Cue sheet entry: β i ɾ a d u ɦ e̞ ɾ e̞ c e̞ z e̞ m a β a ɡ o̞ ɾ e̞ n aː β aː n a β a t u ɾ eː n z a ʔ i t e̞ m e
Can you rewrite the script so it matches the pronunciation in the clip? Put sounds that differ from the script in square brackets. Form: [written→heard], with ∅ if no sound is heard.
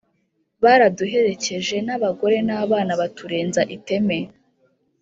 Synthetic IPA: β [i→a] ɾ a d u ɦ e̞ ɾ e̞ c e̞ [z→ʒ] e̞ [m→n] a β a ɡ o̞ ɾ e̞ n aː β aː n a β a t u ɾ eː n z a ʔ i t e̞ m e